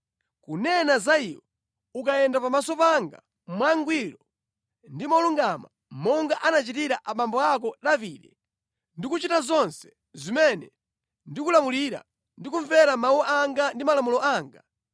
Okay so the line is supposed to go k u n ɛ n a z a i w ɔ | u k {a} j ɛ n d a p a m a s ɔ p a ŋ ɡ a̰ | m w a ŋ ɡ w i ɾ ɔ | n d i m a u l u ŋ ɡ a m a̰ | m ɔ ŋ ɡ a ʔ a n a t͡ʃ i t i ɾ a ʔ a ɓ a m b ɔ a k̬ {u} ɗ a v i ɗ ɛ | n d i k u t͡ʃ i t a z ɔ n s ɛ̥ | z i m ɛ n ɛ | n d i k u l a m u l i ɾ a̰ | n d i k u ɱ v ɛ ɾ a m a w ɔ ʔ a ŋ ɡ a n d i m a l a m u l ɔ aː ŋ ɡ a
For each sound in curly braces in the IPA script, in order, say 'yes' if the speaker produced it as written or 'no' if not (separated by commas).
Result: yes, no